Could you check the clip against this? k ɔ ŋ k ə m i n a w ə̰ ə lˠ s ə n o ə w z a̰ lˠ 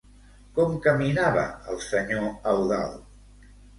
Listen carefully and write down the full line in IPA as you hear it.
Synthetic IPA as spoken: k ɔ m k ə m i n a β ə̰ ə lˠ s ə ɲ o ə w ð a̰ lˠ